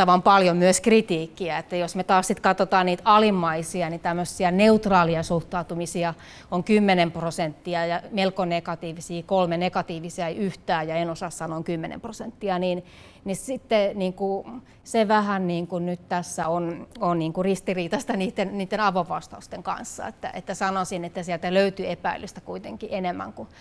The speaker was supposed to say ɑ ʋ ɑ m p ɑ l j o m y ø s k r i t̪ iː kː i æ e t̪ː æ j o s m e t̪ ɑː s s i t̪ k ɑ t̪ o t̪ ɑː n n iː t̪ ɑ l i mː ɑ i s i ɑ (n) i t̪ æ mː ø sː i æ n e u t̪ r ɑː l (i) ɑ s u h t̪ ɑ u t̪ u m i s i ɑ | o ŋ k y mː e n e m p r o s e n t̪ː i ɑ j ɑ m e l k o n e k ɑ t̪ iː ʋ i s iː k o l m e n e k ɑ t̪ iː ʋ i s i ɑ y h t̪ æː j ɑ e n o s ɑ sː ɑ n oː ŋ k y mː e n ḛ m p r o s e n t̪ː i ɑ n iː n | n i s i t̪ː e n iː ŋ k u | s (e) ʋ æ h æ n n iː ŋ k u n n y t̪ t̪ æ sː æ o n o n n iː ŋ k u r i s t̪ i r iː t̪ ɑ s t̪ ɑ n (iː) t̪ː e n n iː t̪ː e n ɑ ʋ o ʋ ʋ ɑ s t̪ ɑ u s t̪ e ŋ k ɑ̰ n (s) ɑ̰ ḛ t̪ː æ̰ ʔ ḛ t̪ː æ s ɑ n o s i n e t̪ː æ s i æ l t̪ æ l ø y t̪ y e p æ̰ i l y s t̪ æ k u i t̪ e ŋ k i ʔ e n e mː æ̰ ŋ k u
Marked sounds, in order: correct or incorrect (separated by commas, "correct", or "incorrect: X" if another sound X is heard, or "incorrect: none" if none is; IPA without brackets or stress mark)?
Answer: correct, correct, correct, correct, incorrect: sː